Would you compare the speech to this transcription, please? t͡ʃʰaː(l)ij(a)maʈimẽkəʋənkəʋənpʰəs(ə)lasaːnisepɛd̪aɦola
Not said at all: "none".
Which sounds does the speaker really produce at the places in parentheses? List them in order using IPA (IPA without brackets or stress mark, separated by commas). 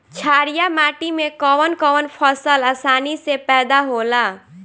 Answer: ɾ, a, ə